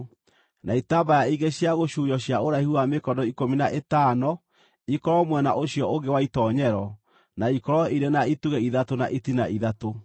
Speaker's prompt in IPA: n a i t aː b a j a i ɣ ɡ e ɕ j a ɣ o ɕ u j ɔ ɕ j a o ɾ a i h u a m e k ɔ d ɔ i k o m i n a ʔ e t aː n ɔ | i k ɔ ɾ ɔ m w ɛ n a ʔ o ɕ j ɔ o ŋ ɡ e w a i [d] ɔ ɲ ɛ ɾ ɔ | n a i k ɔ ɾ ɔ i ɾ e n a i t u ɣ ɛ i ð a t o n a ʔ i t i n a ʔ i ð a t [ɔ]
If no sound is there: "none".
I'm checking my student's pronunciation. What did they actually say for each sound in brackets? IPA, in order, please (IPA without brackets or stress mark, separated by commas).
t, o